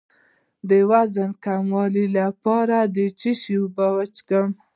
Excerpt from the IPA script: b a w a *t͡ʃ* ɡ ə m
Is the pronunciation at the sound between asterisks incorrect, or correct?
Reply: correct